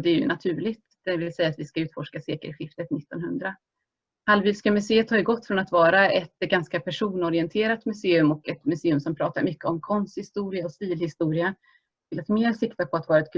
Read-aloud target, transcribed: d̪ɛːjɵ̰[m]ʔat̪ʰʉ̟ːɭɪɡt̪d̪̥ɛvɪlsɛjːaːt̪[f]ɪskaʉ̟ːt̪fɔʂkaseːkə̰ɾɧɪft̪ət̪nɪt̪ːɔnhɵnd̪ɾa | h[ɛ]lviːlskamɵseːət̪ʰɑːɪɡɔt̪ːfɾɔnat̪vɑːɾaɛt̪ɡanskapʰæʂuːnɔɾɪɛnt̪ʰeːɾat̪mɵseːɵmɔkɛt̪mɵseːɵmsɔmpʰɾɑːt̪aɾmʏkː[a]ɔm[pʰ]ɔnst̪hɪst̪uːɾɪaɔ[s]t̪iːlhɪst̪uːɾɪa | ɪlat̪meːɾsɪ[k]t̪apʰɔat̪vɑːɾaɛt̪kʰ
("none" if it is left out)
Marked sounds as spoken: n, v, a, ə, kʰ, s, k

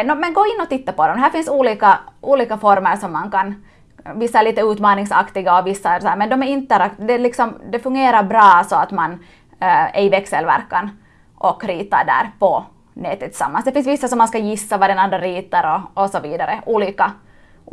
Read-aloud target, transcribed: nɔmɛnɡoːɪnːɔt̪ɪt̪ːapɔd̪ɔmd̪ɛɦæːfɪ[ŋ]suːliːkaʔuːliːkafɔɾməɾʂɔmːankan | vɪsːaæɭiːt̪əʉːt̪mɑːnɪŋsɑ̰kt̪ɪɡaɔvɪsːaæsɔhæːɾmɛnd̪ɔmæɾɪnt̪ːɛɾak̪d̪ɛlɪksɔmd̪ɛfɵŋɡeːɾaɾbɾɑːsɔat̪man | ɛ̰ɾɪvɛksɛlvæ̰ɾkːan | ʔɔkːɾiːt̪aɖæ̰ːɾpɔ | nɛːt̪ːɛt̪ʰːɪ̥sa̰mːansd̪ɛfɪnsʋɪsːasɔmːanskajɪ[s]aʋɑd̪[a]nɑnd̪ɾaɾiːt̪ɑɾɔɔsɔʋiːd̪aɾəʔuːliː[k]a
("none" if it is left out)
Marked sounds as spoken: n, sː, ɛ, k

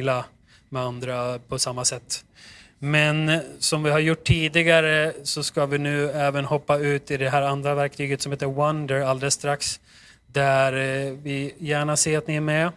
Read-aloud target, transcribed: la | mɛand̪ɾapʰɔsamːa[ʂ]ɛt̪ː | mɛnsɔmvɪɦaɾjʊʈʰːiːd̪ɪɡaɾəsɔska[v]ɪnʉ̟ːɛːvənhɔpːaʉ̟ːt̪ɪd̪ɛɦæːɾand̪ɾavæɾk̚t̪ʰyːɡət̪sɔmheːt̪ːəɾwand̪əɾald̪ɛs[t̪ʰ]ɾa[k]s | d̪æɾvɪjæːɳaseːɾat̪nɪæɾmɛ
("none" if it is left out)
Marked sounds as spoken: s, v, t̪, k

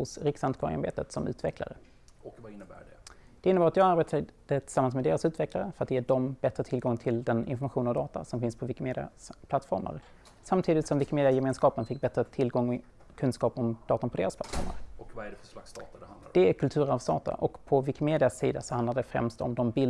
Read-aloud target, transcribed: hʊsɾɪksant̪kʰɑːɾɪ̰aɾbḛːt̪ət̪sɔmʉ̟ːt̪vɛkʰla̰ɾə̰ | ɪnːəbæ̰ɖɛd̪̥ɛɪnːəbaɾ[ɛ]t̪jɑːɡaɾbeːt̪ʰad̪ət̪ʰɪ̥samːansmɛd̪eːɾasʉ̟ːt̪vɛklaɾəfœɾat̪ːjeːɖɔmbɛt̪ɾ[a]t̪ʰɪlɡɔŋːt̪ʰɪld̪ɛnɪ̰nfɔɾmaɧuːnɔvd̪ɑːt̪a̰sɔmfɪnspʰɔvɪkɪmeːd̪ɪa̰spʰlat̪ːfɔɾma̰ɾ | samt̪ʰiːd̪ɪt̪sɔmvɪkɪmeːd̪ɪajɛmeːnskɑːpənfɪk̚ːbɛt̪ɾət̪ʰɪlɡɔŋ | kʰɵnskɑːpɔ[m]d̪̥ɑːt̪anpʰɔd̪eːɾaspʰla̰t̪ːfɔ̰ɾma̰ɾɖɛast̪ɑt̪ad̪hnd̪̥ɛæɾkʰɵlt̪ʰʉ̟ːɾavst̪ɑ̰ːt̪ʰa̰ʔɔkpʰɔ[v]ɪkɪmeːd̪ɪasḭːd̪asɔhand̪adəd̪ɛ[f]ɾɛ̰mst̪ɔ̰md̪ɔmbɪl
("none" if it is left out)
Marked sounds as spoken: a, ə, m, v, f

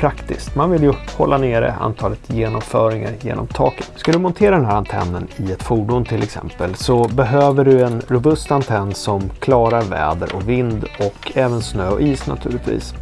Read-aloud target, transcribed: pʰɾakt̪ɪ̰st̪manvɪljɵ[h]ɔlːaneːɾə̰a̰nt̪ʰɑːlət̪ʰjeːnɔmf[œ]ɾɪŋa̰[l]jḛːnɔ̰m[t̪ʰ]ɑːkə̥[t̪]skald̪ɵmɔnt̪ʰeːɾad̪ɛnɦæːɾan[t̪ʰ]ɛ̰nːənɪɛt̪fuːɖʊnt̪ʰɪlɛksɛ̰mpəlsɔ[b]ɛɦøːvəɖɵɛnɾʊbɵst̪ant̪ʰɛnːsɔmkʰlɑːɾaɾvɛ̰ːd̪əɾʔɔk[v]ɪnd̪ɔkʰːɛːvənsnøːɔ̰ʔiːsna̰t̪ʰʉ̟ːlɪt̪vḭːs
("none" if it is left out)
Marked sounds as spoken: h, œː, ɾ, t̪ʰ, t̪, t̪ʰ, b, v

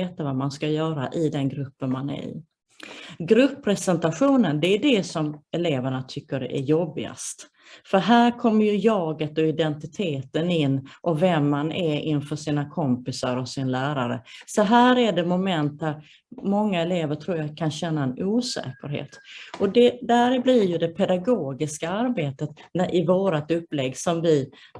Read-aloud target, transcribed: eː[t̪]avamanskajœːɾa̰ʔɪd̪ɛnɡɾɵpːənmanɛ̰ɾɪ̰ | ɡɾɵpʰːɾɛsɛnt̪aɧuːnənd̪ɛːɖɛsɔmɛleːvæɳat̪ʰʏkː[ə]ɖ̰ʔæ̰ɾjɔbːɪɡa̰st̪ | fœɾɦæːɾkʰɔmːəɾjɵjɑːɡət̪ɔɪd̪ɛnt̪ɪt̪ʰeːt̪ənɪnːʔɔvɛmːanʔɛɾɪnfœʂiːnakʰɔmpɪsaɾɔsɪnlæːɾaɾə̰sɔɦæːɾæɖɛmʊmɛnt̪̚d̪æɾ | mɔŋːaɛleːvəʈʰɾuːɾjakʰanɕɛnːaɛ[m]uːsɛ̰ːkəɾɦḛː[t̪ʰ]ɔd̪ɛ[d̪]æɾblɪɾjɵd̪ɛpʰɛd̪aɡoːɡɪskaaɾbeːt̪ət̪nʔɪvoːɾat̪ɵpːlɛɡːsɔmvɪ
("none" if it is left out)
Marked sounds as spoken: t̪, ə, n, t̪, d̪

